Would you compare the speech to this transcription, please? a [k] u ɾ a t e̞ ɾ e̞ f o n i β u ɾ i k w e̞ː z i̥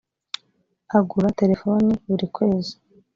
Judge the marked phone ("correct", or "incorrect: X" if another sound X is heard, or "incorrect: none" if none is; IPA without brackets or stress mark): incorrect: ɡ